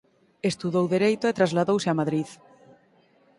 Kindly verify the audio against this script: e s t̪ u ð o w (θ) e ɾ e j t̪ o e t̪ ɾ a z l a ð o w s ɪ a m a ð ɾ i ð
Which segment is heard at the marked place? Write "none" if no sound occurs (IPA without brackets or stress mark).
ð